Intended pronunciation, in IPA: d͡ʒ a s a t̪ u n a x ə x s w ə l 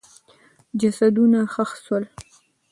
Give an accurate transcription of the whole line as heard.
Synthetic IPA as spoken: d͡ʒ a s a d̪ u n a x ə x s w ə l